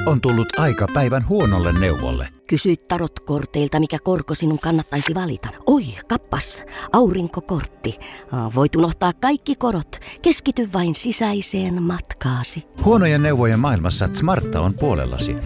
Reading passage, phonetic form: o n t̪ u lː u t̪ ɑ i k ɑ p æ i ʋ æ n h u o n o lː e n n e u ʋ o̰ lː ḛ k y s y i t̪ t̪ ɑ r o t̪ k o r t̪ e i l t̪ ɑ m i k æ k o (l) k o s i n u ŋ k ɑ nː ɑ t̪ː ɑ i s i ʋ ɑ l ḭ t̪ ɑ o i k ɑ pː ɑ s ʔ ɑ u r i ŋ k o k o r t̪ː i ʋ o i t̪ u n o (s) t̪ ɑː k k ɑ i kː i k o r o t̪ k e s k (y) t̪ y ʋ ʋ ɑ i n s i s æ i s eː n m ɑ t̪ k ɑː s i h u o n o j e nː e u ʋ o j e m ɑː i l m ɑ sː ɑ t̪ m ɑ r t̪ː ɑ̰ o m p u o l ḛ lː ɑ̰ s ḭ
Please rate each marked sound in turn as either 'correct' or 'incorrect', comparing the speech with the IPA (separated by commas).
incorrect, incorrect, incorrect